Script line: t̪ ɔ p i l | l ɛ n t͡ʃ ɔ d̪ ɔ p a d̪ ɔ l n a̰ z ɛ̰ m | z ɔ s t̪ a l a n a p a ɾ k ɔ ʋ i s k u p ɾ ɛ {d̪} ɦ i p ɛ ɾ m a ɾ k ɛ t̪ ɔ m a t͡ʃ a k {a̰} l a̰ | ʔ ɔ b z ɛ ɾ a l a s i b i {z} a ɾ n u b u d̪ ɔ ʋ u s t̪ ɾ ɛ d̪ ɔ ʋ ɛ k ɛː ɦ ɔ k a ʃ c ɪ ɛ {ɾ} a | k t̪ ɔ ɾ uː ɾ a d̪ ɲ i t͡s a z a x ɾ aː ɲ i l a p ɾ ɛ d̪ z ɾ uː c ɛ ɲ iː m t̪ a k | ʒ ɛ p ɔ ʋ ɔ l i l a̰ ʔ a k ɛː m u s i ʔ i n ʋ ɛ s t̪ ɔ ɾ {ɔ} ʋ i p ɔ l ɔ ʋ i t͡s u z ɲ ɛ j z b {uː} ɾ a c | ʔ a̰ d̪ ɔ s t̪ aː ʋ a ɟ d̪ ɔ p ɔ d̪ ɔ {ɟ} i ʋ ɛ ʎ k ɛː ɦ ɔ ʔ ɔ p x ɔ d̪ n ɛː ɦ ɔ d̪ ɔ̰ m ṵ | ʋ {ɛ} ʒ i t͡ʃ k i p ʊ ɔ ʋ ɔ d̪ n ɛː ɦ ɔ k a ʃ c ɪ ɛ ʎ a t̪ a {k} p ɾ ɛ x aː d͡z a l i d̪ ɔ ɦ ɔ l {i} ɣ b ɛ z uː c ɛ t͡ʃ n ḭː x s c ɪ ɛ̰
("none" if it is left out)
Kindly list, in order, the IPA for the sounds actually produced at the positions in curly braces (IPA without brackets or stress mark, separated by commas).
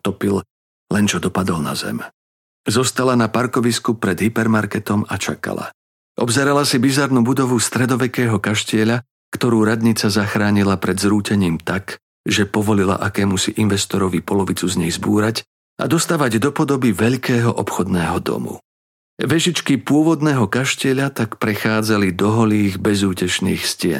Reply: d̪, a̰, z, ʎ, ɔ, uː, b, ɛ, k, iː